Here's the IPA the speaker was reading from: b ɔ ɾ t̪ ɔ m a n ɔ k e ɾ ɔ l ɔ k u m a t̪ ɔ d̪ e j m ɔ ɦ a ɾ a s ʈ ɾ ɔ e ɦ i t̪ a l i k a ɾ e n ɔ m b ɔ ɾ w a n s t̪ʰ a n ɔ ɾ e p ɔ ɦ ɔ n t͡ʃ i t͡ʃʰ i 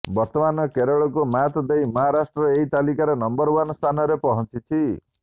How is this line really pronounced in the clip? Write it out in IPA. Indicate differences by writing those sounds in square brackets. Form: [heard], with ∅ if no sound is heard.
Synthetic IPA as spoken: b ɔ ɾ t̪ ɔ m a n ɔ k e ɾ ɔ [ɭ] ɔ k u m a t̪ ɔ d̪ e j m ɔ ɦ a ɾ a s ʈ ɾ ɔ e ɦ i t̪ a l i k a ɾ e n ɔ m b ɔ ɾ w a n s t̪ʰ a n ɔ ɾ e p ɔ ɦ ɔ n t͡ʃ i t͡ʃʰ i